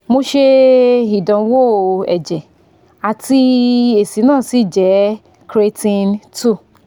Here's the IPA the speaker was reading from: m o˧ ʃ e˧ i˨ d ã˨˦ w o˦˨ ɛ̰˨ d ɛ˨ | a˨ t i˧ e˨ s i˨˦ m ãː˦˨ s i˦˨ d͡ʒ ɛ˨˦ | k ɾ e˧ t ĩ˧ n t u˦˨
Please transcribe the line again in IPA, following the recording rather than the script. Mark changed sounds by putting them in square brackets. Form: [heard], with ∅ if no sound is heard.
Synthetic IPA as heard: m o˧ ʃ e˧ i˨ d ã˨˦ w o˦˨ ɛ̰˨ [d͡ʒ] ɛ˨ | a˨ t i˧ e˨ s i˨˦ [n] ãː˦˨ s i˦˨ d͡ʒ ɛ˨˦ | k ɾ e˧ t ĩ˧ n t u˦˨